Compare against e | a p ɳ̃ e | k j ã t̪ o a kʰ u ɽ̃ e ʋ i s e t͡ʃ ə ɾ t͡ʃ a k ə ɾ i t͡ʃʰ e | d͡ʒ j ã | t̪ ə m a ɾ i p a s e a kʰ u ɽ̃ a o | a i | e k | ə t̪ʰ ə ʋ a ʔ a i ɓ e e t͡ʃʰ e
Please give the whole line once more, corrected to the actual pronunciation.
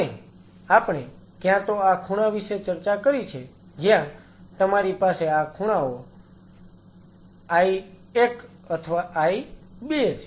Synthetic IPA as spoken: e | a p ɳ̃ e | k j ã t̪ o a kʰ u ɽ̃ a ʋ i ʃ e t͡ʃ ə ɾ t͡ʃ a k ə ɾ i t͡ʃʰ e | d͡ʒ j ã | t̪ ə m a ɾ i p a s e a kʰ u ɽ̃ a o | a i | e k | ə t̪ʰ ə ʋ a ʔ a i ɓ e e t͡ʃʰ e